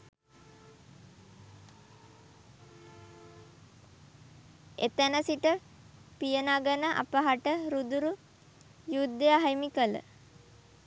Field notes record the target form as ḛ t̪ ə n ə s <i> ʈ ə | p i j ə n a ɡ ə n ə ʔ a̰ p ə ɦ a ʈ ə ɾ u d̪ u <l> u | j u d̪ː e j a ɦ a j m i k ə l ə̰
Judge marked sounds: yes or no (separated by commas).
yes, no